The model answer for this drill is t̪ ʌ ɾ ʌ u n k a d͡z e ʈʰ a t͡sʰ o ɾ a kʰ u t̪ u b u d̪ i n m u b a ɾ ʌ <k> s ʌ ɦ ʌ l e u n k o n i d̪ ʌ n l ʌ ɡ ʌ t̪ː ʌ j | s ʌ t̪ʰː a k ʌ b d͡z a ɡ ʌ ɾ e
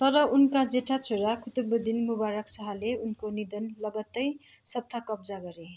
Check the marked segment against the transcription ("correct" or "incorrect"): correct